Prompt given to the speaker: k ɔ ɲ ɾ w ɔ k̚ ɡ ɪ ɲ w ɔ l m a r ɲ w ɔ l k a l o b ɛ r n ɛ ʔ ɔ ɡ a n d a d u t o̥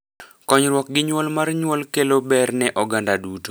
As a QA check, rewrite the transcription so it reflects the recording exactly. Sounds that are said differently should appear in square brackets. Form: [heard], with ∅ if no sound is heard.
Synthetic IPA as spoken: k ɔ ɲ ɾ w ɔ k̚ ɡ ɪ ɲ w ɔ l m a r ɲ w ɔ l k [e] l o b ɛ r n ɛ ʔ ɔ ɡ a n d a d u t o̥